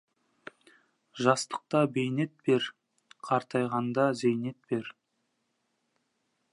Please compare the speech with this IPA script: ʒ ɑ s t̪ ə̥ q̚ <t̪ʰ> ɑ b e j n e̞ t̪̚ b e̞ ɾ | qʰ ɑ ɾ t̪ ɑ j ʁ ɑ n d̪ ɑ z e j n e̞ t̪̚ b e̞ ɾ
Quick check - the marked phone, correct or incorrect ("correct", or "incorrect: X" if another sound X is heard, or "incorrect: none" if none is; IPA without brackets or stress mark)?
incorrect: t̪